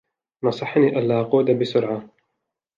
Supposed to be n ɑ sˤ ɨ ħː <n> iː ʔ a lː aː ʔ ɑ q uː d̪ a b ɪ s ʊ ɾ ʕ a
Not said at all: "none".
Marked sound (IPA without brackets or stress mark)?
n